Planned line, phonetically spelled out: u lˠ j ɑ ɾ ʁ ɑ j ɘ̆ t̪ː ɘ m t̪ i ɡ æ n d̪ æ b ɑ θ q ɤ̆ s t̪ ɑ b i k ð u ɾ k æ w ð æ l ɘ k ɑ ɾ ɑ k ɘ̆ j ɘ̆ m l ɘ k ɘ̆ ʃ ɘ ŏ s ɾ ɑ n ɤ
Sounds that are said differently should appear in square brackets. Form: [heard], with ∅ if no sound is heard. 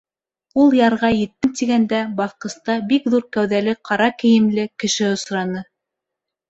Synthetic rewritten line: u lˠ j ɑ ɾ ʁ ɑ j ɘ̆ t̪ː ɘ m t̪ i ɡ æ n d̪ æ b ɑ θ q ɤ̆ s t̪ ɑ b i k ð u ɾ k æ w ð æ l ɘ [q] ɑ ɾ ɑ k ɘ̆ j ɘ̆ m l ɘ k ɘ̆ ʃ ɘ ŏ s ɾ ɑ n ɤ